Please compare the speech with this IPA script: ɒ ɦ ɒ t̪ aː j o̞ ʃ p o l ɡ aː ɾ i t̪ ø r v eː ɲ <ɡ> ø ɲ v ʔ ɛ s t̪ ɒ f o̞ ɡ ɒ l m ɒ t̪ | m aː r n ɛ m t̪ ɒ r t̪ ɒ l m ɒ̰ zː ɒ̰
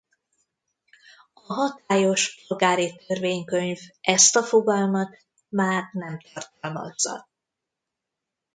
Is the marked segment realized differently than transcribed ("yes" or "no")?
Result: yes